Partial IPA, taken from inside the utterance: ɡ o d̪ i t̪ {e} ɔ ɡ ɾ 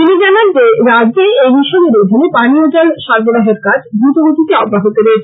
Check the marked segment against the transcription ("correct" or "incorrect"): correct